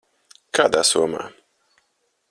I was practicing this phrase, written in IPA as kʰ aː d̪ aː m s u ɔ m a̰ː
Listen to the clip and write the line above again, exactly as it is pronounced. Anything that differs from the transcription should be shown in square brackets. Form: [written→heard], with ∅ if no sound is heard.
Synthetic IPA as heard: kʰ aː d̪ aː [m→∅] s u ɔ m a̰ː